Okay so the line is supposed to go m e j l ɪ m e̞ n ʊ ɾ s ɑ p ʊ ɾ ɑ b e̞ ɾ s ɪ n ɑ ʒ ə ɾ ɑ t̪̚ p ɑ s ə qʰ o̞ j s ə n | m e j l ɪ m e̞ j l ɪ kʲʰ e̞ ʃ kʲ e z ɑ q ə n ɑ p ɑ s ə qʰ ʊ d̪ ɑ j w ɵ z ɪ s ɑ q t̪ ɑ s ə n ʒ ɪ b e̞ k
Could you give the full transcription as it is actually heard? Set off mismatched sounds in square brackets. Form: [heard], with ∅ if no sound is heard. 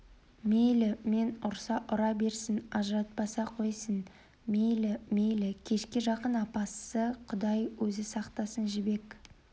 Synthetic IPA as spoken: m e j l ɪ m e̞ n ʊ ɾ s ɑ [ʔ] ʊ ɾ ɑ b e̞ ɾ s ɪ n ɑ ʒ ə ɾ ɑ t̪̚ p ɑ s [ɑ] qʰ o̞ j s ə n | m e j l ɪ m e̞ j l ɪ kʲʰ e̞ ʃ kʲ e [ʒ] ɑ q ə n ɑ p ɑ s ə qʰ ʊ d̪ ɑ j w ɵ z ɪ s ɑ q t̪ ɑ s ə n ʒ ɪ b e̞ k